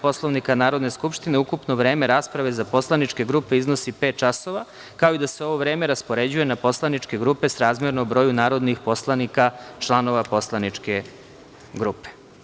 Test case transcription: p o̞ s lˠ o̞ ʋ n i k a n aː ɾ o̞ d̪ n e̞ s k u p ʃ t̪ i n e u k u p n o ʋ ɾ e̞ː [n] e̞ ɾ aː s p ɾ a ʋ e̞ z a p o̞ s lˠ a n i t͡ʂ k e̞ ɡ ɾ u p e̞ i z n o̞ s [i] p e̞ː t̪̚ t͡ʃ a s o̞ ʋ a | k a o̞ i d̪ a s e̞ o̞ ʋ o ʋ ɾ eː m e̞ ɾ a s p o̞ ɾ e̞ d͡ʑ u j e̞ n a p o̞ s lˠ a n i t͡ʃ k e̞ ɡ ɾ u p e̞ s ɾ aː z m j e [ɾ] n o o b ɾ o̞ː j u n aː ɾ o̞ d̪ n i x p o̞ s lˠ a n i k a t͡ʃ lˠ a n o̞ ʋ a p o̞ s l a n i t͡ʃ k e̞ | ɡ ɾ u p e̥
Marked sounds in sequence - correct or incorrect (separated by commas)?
incorrect, correct, correct